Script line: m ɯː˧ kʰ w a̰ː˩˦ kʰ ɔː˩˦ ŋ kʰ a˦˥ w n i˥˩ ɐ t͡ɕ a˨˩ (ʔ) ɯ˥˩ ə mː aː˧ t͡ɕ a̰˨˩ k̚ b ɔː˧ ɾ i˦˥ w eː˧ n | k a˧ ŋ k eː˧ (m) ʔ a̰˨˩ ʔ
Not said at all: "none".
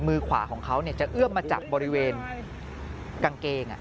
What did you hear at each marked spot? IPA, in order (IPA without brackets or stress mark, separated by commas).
ʔ, ŋ